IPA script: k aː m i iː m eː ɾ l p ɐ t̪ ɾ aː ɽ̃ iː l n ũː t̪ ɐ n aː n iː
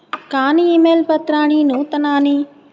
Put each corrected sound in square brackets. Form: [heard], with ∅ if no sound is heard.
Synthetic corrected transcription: k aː [n] i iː m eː [∅] l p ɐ t̪ ɾ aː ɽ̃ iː [∅] n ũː t̪ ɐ n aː n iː